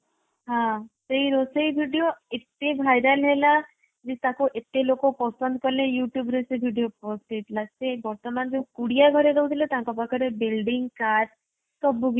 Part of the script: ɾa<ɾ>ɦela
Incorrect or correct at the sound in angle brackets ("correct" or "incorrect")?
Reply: incorrect